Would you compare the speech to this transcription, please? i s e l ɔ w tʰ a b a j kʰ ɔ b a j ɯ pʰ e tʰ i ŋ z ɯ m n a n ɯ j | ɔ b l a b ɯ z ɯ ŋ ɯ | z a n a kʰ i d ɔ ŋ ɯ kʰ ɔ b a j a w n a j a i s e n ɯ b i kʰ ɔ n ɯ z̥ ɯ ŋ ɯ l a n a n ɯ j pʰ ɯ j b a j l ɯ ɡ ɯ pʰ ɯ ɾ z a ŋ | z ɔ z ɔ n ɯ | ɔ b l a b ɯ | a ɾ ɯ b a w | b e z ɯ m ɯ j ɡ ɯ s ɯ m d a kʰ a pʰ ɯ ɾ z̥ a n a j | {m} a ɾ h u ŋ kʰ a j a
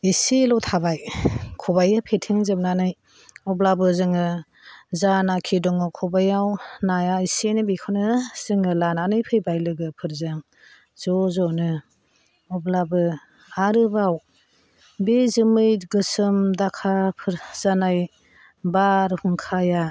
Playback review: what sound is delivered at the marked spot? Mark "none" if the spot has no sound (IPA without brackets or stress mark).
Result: b